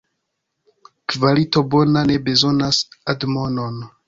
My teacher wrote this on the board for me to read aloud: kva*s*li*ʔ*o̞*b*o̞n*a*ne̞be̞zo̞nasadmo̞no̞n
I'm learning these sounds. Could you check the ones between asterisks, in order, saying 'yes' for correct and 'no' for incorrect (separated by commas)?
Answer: no, no, yes, yes